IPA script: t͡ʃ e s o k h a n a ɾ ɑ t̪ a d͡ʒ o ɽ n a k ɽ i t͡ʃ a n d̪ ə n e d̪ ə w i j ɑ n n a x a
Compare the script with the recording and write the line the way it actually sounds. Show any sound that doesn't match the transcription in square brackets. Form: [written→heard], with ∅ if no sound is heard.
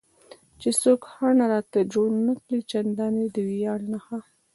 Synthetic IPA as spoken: t͡ʃ e s o k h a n a ɾ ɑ t̪ a d͡ʒ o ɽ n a k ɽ i t͡ʃ a n d̪ [ə→ɑ] n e d̪ ə w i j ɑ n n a x a